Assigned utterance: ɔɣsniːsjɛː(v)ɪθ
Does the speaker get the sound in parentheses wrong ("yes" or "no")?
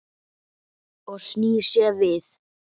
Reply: no